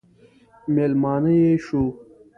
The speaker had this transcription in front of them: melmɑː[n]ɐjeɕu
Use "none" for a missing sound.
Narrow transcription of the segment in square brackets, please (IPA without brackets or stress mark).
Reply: n